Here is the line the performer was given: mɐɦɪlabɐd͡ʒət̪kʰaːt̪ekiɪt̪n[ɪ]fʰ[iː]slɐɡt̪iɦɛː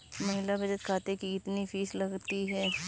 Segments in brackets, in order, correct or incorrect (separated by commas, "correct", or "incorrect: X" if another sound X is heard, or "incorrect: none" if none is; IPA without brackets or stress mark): incorrect: i, correct